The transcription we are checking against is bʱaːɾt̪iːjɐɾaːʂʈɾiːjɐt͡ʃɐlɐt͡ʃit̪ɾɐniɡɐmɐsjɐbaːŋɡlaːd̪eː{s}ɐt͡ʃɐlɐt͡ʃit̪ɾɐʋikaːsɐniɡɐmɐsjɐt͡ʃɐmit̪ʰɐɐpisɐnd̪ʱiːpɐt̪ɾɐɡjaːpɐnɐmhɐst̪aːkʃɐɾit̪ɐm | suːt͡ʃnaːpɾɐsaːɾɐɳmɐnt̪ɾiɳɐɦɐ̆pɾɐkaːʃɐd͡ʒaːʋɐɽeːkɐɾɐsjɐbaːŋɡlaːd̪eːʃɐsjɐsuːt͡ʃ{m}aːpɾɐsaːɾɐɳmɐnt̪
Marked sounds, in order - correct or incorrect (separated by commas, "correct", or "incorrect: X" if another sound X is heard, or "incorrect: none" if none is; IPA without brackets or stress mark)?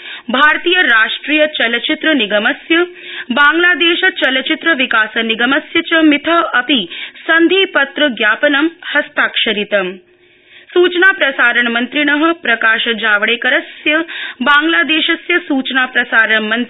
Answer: incorrect: ʃ, incorrect: n